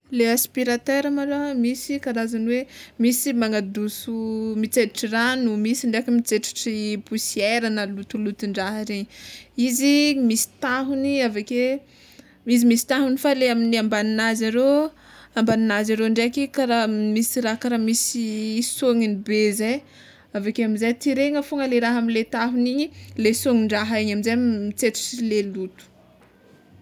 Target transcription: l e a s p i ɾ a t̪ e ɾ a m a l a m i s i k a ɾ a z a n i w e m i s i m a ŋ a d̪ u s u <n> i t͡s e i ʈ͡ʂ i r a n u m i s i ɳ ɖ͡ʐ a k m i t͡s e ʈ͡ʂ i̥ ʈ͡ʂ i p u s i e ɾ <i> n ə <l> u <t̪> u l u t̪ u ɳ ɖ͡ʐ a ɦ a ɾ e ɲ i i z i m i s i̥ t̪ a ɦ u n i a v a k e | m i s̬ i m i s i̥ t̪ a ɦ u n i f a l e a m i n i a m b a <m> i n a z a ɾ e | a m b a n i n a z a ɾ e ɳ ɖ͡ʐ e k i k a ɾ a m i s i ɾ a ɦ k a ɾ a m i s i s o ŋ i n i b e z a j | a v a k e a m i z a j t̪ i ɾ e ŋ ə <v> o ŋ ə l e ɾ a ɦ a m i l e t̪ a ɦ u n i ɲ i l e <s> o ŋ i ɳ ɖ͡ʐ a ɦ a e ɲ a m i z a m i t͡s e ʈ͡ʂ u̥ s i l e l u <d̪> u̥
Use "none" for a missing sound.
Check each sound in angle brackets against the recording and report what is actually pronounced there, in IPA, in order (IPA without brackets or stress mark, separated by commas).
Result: m, a, l, t̪, n, f, s, t̪